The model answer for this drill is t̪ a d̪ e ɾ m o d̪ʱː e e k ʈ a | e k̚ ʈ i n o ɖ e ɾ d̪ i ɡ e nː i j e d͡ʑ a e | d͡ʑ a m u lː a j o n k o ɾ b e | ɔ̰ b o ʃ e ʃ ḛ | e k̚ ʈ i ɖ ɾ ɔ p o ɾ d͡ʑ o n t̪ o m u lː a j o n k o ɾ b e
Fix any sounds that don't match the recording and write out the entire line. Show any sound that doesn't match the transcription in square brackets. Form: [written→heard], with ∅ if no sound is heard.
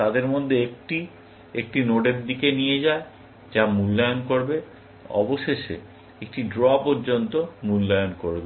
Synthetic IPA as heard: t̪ a d̪ e ɾ m o d̪ʱː e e k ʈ [a→i] | e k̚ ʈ i n o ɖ e ɾ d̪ i [ɡ→k] e [nː→n] i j e d͡ʑ a e | d͡ʑ a m u lː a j o n k o ɾ b e | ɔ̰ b o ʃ e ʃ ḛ | e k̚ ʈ i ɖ ɾ ɔ p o ɾ d͡ʑ o n t̪ o m u lː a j o n k o ɾ b e

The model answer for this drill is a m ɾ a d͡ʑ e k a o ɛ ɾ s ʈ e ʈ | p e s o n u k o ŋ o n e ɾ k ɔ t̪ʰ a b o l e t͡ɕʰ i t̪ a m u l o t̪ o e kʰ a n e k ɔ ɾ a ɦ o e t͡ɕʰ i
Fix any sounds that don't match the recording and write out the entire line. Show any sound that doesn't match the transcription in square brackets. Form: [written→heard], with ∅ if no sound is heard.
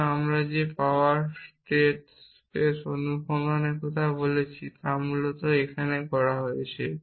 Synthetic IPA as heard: a m ɾ a d͡ʑ e [k→p] a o [ɛ→a] ɾ s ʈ e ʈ | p e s o n u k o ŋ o n e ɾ k ɔ t̪ʰ a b o l e t͡ɕʰ i t̪ a m u l o t̪ o e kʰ a n e k ɔ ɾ a ɦ o e t͡ɕʰ [i→e]

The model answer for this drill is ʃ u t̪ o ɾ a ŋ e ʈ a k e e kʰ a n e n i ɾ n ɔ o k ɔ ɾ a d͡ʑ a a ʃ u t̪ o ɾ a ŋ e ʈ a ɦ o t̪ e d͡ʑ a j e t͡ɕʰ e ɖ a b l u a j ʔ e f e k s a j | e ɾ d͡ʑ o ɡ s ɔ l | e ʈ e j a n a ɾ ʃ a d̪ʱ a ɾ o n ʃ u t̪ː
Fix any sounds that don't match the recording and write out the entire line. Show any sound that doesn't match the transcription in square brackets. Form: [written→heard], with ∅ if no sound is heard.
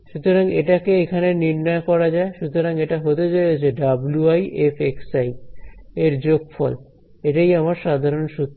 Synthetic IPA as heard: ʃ u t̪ o ɾ a ŋ e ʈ a k e e kʰ a n e n i ɾ n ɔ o k ɔ ɾ a d͡ʑ a [a→e] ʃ u t̪ o ɾ a ŋ e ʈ a ɦ o t̪ e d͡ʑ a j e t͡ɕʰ e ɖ a b l u a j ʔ e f e k s a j | e ɾ d͡ʑ o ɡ [s→f] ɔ l | e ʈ [e→a] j a [n→m] a ɾ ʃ a d̪ʱ a ɾ o n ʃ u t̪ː

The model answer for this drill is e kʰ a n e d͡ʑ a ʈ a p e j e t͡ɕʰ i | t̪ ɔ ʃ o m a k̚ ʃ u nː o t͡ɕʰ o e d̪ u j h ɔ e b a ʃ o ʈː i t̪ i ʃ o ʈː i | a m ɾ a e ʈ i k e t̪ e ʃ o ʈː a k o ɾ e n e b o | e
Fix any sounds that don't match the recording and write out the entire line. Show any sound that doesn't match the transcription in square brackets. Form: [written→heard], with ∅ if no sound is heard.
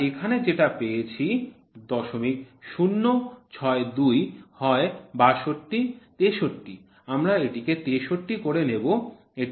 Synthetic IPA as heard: e kʰ a n e d͡ʑ [a→e] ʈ a p e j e t͡ɕʰ i | [t̪→d̪] ɔ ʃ o m [a→i] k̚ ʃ u nː o t͡ɕʰ [o→ɔ] e d̪ u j h ɔ e b a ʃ o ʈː i t̪ [i→e] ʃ o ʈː i | a m ɾ a e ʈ i k e t̪ e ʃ o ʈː [a→i] k o ɾ e n e b o | e

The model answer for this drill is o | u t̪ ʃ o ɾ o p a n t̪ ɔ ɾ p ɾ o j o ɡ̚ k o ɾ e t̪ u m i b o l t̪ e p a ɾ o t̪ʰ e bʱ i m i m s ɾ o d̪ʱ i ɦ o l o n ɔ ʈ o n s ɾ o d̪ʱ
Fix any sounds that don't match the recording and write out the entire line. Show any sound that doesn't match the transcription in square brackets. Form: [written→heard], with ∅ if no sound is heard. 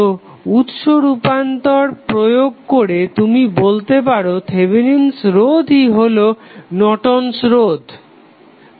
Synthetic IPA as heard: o | u t̪ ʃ o ɾ [o→u] p a n t̪ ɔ ɾ p ɾ o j o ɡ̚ k o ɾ e t̪ u m i b o l t̪ e p a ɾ o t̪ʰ e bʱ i [m→n] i [m→n] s ɾ o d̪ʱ i ɦ o l o n ɔ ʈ o n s ɾ o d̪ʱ

